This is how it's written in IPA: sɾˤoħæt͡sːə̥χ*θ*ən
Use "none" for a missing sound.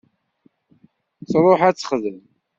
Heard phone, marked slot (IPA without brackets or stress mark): ð